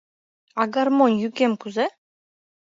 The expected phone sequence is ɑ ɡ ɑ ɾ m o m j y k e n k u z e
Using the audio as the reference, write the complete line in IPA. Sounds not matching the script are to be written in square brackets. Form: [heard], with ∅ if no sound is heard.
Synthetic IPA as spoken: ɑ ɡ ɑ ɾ m o [n] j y k e [m] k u z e